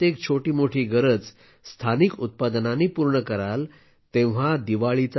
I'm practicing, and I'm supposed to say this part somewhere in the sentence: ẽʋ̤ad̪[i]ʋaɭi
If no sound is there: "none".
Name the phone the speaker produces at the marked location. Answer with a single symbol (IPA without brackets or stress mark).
i